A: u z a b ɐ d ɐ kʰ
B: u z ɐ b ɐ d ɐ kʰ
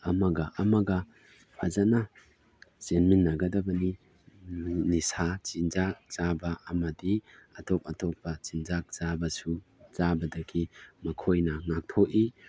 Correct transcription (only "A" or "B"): A